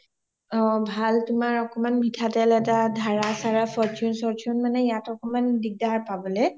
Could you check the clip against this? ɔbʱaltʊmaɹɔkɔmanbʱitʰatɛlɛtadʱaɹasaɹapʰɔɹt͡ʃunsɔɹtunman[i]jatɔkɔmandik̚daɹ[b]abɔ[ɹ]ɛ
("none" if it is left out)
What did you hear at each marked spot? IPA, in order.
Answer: ɛ, p, l

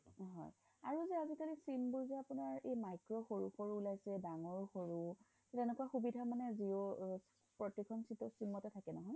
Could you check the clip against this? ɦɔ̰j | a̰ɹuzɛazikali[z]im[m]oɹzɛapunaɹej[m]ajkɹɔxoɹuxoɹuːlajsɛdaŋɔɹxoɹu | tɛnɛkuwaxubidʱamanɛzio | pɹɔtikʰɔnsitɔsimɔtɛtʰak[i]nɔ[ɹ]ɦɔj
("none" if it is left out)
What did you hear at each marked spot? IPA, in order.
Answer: s, b, m, ɛ, none

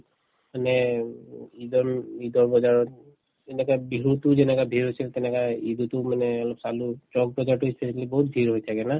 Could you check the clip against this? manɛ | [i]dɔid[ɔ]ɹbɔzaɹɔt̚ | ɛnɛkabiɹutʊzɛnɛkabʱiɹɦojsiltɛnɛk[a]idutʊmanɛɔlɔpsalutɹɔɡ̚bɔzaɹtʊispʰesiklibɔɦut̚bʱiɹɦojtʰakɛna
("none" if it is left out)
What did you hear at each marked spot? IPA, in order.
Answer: i, ɔ, a

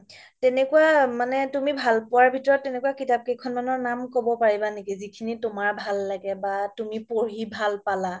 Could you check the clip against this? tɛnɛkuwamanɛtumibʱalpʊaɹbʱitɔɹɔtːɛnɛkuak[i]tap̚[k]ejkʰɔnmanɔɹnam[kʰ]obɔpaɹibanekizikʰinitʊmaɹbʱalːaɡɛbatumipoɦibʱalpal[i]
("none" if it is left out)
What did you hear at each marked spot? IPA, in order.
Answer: i, k, k, a

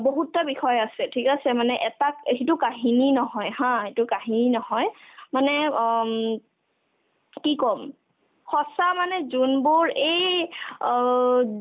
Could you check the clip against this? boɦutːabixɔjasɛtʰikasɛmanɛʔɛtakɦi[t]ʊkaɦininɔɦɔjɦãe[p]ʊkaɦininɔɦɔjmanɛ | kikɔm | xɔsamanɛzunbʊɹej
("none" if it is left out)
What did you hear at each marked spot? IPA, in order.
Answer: t, t

